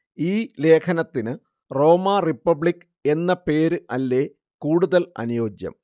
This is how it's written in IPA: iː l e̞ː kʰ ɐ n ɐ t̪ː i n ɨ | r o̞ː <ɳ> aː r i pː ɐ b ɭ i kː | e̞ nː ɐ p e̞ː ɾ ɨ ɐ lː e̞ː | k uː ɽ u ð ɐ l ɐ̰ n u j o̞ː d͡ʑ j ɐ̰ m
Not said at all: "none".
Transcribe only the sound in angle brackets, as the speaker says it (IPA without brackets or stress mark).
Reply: m